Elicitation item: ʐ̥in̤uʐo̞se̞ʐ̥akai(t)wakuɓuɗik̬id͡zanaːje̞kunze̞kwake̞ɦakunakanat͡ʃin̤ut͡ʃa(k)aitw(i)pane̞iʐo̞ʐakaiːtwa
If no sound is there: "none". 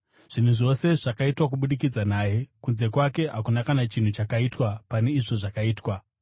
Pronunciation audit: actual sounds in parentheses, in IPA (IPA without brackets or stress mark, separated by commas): t, k, a